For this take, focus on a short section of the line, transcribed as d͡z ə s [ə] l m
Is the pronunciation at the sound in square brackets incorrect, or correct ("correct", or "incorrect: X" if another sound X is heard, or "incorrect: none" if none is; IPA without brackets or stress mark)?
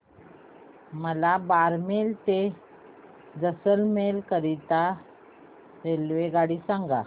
correct